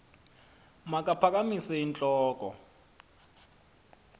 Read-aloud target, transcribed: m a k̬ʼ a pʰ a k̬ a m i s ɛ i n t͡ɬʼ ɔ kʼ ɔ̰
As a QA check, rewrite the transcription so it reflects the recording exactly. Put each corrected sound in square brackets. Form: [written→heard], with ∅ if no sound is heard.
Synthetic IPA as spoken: m a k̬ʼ a pʰ a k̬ a m i s ɛ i n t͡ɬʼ [ɔ→ɔː] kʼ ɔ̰